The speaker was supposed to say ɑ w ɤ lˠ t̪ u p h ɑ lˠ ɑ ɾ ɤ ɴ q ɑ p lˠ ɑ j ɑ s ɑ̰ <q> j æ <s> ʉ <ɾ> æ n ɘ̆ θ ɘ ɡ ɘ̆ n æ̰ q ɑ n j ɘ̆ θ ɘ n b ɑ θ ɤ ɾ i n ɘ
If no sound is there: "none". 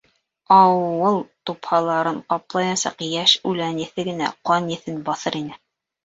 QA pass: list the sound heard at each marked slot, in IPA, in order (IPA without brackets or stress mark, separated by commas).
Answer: q, ʃ, l